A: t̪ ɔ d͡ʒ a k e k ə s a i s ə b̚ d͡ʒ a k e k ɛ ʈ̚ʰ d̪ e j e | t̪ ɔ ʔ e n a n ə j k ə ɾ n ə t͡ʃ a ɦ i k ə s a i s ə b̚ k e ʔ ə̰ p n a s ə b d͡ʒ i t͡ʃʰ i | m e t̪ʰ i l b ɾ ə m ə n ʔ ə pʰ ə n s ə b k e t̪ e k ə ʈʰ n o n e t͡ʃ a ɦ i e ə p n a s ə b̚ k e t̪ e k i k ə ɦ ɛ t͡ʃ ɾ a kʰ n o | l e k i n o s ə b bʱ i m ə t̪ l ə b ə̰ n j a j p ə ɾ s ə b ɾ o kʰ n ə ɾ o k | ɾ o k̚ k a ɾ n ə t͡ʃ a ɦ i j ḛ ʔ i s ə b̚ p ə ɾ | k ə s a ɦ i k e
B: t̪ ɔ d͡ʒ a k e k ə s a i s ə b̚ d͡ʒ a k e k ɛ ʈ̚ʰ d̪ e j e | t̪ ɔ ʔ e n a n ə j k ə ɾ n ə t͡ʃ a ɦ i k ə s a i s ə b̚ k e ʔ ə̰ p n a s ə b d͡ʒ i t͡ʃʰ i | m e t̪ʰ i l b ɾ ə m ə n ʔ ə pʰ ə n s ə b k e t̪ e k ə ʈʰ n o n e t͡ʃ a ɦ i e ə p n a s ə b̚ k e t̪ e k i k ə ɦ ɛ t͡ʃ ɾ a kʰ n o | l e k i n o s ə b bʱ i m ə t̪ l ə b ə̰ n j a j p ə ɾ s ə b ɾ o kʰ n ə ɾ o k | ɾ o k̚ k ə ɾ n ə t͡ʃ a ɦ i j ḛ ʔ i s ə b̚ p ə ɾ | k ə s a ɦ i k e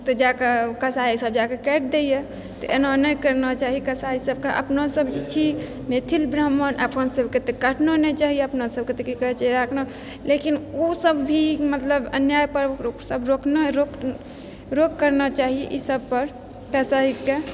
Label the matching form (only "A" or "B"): B